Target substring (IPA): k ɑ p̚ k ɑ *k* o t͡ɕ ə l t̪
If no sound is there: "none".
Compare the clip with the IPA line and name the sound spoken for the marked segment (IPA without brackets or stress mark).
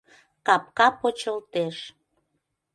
p